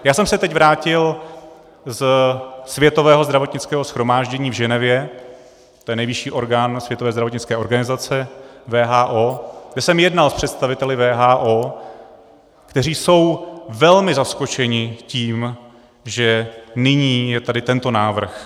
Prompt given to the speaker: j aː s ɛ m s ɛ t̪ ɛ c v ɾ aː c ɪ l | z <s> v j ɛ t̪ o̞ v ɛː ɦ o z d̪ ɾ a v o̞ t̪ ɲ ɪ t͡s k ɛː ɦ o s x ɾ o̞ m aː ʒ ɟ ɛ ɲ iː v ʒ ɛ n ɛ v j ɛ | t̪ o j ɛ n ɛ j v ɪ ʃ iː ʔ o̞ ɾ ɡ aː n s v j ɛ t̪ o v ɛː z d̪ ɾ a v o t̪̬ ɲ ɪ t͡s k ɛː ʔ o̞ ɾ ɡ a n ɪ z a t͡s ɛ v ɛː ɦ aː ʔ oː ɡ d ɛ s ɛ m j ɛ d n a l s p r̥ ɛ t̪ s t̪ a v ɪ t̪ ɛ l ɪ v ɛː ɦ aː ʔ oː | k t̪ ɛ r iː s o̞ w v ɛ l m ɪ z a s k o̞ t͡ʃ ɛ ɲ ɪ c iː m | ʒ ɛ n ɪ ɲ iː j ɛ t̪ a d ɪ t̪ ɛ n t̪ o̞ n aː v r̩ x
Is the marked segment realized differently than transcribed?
no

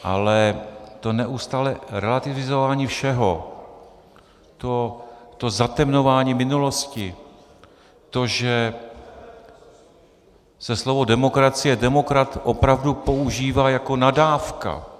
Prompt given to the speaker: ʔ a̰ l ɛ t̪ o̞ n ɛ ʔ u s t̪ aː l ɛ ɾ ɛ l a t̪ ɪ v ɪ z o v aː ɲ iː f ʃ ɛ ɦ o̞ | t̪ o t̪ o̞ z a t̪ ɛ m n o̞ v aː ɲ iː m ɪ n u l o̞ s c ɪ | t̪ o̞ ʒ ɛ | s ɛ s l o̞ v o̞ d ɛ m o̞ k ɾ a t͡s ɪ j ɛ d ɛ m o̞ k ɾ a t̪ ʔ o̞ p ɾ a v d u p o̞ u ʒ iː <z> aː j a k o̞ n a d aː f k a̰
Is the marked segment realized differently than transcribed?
yes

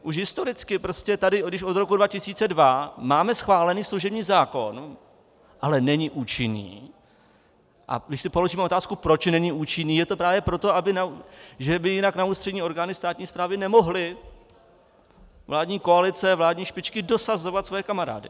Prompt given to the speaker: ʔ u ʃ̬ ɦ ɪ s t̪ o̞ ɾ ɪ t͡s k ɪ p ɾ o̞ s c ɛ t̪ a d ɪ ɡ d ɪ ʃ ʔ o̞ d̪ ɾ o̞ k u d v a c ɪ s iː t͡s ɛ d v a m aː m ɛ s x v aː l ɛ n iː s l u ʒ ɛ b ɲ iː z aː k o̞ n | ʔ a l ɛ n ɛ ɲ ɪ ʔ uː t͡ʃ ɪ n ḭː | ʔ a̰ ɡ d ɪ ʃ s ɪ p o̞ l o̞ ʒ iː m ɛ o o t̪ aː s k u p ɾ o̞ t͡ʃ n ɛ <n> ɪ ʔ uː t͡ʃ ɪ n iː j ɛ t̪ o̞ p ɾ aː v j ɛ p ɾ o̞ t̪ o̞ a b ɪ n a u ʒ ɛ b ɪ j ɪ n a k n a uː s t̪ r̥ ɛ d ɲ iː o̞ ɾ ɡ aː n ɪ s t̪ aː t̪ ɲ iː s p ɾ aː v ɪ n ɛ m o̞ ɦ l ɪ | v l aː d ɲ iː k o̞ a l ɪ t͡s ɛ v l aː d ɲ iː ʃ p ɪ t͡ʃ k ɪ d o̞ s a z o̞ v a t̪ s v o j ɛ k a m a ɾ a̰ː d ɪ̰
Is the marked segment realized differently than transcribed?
yes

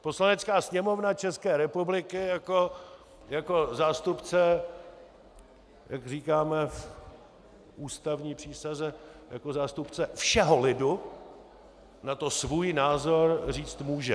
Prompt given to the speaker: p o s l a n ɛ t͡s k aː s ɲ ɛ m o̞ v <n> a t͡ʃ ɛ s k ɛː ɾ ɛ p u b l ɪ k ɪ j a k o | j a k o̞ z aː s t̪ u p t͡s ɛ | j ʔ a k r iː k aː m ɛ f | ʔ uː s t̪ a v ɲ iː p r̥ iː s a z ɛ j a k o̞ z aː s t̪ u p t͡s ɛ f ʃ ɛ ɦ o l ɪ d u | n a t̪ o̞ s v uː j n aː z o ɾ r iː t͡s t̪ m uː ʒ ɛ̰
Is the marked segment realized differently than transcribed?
no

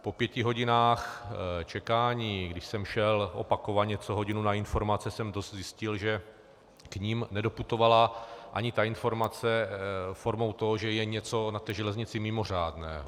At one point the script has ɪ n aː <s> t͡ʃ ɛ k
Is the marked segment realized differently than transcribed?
yes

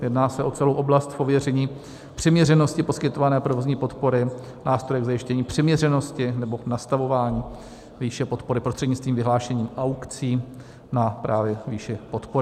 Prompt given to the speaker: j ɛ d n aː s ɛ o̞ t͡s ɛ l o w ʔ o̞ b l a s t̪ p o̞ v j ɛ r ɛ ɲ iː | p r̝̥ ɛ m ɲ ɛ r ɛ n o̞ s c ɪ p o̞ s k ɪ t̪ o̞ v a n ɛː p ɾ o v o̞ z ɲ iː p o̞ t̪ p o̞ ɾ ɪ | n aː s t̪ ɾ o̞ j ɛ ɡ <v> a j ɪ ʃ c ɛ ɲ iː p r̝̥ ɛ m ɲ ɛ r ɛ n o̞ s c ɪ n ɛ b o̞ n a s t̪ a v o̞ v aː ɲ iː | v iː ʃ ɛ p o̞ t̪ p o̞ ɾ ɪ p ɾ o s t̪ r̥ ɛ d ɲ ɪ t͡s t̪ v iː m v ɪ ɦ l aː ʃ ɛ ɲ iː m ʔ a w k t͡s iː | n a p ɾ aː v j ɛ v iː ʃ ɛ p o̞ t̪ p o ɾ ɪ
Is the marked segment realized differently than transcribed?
yes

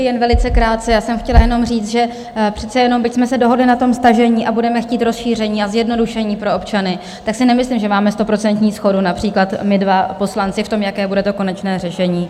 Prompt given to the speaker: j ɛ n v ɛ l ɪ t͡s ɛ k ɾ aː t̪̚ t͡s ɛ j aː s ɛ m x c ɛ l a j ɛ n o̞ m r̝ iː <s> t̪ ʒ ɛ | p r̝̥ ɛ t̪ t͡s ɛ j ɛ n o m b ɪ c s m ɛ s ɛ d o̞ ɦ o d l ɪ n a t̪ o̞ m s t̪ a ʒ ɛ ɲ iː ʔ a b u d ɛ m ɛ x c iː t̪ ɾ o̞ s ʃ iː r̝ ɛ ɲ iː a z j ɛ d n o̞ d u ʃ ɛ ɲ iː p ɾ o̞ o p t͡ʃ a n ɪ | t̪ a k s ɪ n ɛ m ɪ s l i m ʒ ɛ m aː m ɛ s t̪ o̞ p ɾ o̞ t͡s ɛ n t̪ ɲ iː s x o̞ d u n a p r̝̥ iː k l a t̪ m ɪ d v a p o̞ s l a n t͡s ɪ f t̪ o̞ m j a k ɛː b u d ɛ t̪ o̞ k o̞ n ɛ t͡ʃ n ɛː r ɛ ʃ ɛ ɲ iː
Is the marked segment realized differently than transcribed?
yes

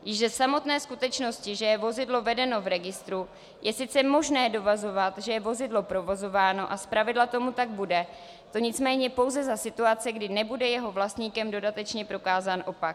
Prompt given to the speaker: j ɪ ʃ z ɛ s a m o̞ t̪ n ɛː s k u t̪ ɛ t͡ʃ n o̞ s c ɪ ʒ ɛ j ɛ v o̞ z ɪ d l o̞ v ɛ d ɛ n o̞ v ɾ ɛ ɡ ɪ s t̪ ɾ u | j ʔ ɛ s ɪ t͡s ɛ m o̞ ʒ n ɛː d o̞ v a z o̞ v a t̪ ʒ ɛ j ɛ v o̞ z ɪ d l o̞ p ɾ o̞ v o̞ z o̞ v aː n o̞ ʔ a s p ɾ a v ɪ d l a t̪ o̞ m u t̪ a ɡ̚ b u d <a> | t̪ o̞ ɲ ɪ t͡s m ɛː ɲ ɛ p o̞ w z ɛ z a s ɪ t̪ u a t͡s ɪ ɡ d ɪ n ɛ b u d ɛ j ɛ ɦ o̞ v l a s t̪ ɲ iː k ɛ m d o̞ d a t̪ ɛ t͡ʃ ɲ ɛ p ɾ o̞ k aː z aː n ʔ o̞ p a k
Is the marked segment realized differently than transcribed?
yes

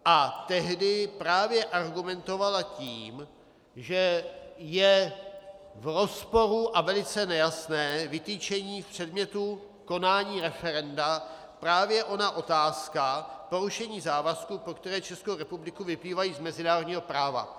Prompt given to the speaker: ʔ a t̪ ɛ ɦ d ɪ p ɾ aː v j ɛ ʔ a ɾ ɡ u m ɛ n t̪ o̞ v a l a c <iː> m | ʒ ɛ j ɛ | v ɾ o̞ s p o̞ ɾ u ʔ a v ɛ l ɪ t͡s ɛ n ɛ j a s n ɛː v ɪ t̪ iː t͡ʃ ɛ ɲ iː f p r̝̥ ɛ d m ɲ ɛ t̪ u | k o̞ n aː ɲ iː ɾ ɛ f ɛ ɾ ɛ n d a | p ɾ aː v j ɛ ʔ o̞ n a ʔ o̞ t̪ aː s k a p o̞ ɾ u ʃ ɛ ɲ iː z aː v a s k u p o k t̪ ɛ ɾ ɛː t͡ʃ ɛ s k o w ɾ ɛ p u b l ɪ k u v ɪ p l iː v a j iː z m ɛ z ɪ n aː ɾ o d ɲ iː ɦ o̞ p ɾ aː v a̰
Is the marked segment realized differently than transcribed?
no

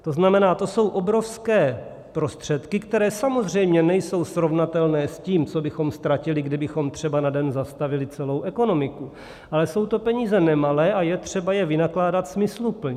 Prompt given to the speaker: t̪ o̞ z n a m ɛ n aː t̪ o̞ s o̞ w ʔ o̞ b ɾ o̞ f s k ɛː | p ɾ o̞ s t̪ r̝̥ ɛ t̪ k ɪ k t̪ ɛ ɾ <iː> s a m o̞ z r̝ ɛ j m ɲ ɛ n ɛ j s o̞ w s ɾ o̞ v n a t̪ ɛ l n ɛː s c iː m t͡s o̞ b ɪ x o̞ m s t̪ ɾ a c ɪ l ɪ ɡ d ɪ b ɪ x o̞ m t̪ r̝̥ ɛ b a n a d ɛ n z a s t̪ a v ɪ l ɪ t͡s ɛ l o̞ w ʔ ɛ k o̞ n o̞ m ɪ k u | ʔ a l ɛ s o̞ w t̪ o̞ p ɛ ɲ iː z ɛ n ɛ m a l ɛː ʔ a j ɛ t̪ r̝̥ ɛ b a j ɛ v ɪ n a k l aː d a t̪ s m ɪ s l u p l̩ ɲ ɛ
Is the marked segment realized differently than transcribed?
yes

